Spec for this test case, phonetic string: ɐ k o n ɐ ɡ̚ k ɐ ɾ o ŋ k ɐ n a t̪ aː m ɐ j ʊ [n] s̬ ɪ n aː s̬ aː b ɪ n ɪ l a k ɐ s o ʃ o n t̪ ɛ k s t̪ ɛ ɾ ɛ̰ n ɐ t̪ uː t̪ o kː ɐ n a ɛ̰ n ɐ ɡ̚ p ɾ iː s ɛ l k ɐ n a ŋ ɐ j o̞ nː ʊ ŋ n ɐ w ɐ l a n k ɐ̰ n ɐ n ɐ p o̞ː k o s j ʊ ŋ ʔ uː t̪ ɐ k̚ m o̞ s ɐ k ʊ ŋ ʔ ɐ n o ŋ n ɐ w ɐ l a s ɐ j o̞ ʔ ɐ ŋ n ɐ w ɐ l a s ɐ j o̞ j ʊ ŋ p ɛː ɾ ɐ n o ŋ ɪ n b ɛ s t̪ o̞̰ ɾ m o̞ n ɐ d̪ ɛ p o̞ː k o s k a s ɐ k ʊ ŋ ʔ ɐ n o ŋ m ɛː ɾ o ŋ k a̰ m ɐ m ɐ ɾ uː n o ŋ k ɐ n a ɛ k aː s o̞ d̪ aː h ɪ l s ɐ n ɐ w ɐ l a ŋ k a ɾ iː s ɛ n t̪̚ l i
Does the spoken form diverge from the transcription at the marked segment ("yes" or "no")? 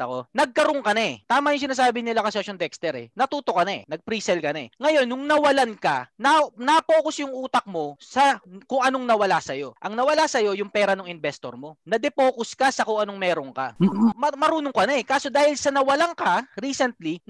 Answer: yes